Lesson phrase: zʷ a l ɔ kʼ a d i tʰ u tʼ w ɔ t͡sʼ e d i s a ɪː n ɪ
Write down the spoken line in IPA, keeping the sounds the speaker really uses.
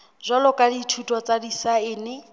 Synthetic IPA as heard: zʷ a l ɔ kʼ a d i tʰ u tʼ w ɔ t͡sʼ a d i s a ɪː n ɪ